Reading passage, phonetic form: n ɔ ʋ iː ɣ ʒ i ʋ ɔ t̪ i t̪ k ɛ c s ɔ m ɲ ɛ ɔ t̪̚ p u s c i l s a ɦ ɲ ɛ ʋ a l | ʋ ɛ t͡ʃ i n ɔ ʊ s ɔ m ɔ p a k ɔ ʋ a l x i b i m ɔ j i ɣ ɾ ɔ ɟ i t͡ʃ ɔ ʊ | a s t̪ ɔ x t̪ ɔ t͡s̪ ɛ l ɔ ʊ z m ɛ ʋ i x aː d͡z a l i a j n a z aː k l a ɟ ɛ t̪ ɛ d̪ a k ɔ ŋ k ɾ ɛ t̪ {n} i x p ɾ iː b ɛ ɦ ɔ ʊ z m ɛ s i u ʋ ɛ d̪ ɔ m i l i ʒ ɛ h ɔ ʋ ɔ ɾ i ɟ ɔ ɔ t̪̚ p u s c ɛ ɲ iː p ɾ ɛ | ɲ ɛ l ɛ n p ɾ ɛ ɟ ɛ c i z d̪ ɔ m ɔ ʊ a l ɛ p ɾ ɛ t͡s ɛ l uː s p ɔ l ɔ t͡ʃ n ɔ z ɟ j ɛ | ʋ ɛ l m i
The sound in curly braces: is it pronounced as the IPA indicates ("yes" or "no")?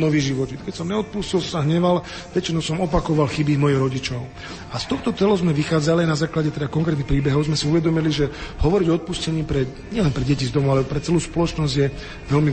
yes